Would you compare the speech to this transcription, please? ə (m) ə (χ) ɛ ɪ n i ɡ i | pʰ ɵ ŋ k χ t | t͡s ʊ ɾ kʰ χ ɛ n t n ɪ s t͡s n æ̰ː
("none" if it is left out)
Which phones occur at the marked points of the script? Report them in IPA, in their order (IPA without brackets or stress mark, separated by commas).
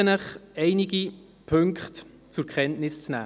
n, χ